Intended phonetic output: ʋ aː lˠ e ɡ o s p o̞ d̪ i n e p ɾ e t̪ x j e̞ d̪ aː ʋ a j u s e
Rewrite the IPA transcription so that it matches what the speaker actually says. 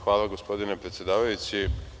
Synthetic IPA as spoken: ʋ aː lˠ a ɡ o s p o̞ d̪ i n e p ɾ e t̪ s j e̞ d̪ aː ʋ a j u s i